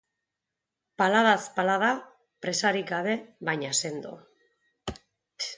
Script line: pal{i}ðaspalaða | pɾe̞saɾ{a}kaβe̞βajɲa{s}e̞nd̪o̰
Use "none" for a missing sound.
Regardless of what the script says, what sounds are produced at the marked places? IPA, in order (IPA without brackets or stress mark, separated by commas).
a, i, s